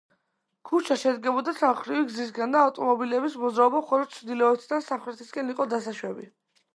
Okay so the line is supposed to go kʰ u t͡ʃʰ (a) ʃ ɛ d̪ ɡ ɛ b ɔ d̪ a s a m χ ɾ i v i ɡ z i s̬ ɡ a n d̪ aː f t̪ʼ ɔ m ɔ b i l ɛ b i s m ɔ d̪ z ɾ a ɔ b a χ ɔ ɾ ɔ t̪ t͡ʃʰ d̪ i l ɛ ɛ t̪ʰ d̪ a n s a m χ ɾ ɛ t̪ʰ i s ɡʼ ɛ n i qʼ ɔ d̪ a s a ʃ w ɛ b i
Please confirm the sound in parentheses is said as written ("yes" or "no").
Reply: yes